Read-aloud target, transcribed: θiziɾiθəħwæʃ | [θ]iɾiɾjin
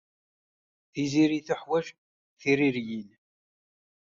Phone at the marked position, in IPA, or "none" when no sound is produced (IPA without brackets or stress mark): θ